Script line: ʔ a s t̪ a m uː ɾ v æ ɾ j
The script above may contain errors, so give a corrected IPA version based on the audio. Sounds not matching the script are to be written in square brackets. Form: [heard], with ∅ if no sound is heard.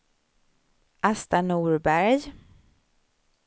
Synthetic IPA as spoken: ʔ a s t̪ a [n] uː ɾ [b] æ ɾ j